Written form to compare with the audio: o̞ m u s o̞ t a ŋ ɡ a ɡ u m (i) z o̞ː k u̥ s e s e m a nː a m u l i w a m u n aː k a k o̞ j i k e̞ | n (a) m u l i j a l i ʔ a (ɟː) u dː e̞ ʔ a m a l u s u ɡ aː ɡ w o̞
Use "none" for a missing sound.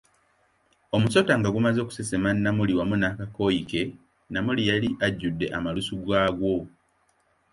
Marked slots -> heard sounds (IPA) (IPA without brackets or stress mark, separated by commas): a, a, ɟː